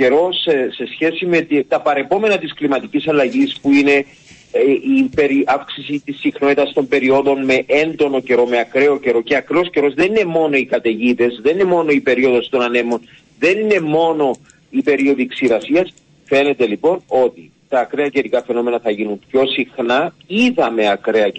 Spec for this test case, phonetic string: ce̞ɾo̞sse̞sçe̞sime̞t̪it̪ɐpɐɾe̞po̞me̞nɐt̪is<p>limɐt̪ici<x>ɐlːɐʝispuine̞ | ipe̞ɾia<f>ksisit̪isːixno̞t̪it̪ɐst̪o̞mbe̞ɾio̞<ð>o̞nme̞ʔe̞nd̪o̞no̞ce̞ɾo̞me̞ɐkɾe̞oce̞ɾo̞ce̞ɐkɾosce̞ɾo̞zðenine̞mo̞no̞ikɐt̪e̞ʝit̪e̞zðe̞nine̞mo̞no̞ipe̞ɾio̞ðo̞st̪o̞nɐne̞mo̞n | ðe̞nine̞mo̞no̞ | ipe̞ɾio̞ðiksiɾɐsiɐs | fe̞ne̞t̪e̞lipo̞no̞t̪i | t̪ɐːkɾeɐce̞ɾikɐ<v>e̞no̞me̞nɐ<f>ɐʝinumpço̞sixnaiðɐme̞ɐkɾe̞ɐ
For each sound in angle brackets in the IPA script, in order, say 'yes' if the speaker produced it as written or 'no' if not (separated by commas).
no, no, yes, yes, no, no